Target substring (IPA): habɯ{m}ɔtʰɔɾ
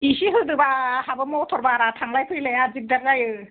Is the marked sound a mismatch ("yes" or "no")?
no